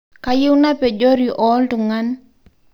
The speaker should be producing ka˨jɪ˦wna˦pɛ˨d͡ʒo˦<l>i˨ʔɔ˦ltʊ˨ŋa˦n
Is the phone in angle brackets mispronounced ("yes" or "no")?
yes